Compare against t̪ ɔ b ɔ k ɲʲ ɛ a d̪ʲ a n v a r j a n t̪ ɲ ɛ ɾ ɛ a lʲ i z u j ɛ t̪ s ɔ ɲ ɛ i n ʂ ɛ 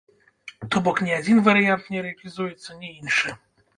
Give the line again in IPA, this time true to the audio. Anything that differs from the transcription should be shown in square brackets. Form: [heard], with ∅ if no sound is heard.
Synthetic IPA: t̪ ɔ b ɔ k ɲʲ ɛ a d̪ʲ [i] n v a [ɾ] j a n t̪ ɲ ɛ ɾ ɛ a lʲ i z u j ɛ t̪ s ɔ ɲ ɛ i n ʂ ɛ